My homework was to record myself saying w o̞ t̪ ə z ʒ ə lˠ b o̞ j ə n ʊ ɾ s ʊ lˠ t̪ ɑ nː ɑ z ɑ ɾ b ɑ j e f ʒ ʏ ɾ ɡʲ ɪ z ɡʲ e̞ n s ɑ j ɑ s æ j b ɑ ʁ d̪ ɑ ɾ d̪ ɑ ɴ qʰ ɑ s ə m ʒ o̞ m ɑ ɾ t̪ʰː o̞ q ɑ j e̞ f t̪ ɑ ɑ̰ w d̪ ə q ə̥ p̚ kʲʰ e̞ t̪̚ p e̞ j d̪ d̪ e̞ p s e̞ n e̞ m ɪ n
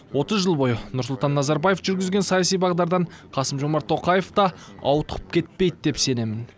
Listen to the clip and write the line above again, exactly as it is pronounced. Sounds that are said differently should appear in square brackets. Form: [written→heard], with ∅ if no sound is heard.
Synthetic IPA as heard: w o̞ t̪ ə z ʒ ə lˠ b o̞ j ə n ʊ ɾ s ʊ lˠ t̪ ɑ nː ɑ z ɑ ɾ b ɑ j e f ʒ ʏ ɾ ɡʲ ɪ z ɡʲ e̞ n s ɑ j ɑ s [æ→i] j b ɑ ʁ d̪ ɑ ɾ d̪ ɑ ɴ qʰ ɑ s ə m ʒ o̞ m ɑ ɾ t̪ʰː o̞ q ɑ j e̞ f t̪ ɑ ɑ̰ w [d̪→t̪] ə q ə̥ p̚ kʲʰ e̞ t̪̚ p e̞ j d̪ d̪ e̞ p s e̞ n e̞ m ɪ n